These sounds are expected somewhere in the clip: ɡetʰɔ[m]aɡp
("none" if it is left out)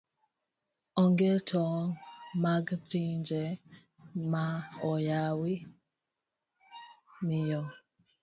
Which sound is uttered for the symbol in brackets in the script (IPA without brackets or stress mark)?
m